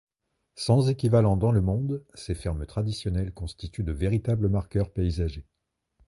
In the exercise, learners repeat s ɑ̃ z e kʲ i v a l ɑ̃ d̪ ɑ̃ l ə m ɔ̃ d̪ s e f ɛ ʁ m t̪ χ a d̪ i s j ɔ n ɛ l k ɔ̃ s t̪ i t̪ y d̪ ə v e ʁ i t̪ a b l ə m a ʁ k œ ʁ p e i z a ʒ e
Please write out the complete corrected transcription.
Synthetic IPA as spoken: s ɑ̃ z e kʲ i v a l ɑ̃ d̪ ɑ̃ l ə m ɔ̃ d̪ s e f ɛ ʁ m t̪ χ a d̪ i s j ɔ n ɛ l k ɔ̃ s t̪ i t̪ y d̪ ə v e ʁ i t̪ a b l ə m a ʁ k œ ʁ p e i z a ʒ e